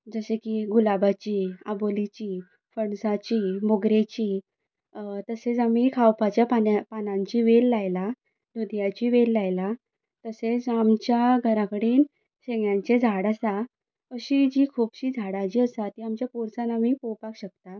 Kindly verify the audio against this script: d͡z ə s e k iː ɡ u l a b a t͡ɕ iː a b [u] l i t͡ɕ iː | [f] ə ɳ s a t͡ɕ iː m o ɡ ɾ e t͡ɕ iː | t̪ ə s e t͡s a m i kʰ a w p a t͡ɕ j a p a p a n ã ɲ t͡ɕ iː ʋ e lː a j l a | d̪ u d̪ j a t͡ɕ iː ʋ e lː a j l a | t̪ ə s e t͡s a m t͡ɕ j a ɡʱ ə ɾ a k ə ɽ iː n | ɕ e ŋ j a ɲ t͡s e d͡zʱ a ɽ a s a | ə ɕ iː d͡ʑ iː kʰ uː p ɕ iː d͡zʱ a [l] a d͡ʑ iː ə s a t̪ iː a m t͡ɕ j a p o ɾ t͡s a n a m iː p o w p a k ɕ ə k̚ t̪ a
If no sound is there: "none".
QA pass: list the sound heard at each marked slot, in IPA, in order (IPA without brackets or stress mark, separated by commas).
o, f, ɽ